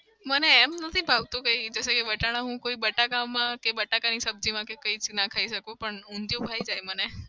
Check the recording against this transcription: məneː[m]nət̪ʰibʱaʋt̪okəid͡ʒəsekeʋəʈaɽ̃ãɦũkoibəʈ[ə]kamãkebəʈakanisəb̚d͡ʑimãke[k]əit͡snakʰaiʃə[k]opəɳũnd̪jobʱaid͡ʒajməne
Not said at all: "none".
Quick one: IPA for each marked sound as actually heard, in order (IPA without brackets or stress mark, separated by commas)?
m, a, k, k